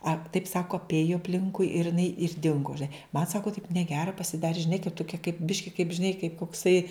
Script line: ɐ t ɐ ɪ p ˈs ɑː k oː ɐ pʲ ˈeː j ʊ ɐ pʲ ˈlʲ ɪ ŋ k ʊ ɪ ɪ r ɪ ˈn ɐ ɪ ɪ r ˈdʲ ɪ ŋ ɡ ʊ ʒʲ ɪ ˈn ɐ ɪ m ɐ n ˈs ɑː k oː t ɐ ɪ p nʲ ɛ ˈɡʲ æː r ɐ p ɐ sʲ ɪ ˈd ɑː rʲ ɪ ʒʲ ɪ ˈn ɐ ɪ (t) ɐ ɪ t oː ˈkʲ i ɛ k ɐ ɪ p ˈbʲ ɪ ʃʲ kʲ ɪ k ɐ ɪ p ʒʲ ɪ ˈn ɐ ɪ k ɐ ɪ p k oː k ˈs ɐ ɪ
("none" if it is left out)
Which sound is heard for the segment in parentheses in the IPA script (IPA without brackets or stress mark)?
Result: k